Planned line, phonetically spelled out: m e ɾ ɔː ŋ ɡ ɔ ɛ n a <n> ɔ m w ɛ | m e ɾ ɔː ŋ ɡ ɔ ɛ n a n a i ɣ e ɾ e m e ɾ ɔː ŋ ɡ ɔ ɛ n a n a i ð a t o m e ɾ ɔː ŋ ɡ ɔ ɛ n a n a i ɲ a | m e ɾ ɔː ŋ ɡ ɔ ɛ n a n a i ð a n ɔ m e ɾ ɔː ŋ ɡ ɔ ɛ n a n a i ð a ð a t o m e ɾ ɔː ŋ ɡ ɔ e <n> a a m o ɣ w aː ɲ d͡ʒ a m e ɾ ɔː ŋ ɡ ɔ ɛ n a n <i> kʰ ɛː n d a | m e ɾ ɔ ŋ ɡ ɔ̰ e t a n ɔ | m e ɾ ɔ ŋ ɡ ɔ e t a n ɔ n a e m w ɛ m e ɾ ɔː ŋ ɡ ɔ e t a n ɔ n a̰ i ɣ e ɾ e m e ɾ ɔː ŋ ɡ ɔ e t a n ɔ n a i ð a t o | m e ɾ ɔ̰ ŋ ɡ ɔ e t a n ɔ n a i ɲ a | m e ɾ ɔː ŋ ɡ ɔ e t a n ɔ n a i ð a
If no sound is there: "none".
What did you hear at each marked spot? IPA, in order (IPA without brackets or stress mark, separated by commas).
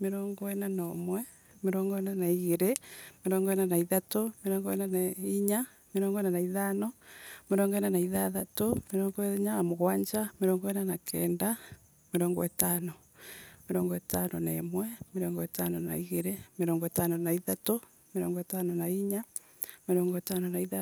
n, ɲ, a